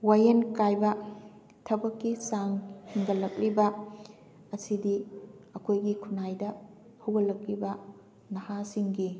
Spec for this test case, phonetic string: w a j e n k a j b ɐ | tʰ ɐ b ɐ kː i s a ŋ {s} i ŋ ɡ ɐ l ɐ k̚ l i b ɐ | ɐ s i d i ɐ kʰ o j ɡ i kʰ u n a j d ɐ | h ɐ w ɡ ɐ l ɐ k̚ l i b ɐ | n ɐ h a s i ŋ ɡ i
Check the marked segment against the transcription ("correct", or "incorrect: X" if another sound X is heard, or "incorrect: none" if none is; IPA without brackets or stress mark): incorrect: h